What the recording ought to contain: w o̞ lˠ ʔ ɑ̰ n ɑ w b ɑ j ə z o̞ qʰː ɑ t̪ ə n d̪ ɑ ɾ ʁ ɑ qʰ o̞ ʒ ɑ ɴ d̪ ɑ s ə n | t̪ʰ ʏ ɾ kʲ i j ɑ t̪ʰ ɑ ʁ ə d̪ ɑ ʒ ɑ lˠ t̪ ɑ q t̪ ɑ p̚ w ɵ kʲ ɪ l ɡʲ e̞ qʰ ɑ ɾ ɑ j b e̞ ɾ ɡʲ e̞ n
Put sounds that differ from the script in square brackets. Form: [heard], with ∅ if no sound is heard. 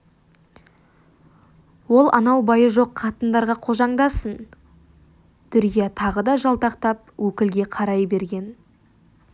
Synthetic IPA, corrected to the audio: w o̞ lˠ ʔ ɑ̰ n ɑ w b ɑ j ə [ʒ] o̞ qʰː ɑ t̪ ə n d̪ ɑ ɾ ʁ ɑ qʰ o̞ ʒ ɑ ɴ d̪ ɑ s ə n | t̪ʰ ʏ ɾ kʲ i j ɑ t̪ʰ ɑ ʁ ə d̪ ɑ ʒ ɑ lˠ t̪ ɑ q t̪ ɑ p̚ w ɵ kʲ ɪ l ɡʲ e̞ qʰ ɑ ɾ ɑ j b e̞ ɾ ɡʲ e̞ n